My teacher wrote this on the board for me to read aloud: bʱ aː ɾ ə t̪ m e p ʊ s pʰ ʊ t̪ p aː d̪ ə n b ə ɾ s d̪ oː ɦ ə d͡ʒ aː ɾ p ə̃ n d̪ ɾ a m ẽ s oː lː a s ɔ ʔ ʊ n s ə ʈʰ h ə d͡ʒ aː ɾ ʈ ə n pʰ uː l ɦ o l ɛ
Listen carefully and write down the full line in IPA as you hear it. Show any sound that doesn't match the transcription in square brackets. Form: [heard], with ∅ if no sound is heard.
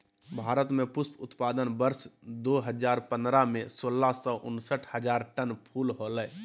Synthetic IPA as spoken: bʱ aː ɾ ə t̪ m e p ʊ s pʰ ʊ t̪ p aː d̪ ə n b ə ɾ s d̪ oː ɦ ə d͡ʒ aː ɾ p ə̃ n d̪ ɾ a m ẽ s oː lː a s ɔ ʔ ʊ n s ə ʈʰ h ə d͡ʒ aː ɾ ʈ ə n pʰ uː l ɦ o l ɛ